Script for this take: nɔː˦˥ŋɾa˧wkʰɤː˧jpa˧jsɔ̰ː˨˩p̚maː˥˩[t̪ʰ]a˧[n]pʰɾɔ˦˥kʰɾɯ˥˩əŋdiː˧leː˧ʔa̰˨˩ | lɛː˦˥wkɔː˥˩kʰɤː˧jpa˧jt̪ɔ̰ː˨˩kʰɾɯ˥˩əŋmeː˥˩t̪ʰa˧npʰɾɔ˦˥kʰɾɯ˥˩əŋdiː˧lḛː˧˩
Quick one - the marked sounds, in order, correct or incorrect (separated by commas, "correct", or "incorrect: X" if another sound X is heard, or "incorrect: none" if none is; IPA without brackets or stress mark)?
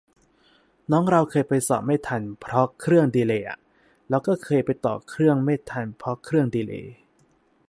correct, correct